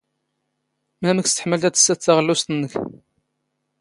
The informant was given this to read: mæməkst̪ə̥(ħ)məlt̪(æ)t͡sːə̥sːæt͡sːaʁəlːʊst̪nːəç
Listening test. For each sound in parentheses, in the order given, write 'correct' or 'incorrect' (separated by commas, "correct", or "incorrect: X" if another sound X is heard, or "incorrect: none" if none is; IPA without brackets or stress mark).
correct, correct